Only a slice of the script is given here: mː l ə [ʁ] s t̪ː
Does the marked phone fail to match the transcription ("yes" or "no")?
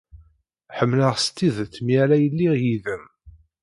no